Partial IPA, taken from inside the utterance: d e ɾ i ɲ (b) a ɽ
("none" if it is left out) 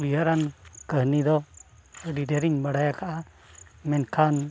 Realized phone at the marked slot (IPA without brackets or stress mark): b